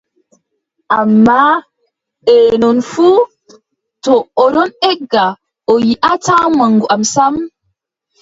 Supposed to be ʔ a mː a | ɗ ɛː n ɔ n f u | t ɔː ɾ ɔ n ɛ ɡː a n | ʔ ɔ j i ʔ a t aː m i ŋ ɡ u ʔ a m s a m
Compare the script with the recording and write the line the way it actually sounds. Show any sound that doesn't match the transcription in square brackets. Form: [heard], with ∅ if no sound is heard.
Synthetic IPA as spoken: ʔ a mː a | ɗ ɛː n ɔ n f u | t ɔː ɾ ɔ n ɛ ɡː a [∅] | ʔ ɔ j i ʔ a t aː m [a] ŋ ɡ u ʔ a m s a m